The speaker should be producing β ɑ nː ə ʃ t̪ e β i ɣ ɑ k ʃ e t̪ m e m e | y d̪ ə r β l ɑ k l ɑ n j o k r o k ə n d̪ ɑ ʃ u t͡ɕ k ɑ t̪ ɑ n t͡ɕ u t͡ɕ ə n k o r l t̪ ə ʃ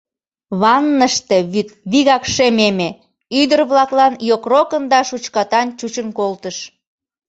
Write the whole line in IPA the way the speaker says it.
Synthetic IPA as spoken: β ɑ nː ə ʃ t̪ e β i ɣ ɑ k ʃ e m e m e | y d̪ ə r β l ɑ k l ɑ n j o k r o k ə n d̪ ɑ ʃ u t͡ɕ k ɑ t̪ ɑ n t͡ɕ u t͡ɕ ə n k o l t̪ ə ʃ